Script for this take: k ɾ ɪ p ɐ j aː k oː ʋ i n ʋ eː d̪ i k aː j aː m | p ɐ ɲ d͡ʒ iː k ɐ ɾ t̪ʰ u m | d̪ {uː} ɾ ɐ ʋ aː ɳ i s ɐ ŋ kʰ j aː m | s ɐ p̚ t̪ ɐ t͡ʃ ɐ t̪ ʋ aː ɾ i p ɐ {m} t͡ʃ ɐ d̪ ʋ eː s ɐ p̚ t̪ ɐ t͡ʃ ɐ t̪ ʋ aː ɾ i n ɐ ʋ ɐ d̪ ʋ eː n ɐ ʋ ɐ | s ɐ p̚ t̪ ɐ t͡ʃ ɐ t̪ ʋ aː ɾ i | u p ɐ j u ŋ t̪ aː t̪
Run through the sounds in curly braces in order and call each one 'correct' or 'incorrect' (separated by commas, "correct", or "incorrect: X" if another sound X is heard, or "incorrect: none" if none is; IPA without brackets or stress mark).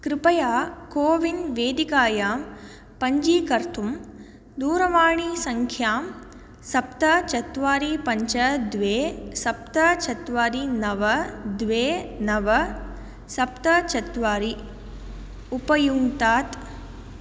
correct, incorrect: ɲ